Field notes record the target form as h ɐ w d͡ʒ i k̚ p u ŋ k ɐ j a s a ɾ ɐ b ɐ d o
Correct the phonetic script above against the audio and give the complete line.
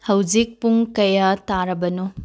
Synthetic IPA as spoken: h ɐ w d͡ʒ i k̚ p u ŋ k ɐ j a t a ɾ ɐ b ɐ n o